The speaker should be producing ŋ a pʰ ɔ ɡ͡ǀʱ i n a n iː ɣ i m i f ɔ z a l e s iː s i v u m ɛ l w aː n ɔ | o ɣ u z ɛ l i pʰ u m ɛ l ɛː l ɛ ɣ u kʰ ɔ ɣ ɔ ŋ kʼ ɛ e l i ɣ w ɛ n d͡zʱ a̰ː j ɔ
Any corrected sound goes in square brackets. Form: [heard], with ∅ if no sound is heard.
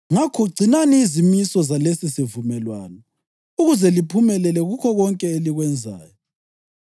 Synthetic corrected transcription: ŋ a [kʰ] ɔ ɡ͡ǀʱ i n a n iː [z] i m i [s] ɔ z a l e s [i] s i v u m ɛ l w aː n ɔ | [u] ɣ u z ɛ l i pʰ u m ɛ l [ɛ] l ɛ ɣ u kʰ ɔ ɣ ɔ ŋ kʼ ɛ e l i ɣ w ɛ n d͡zʱ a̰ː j ɔ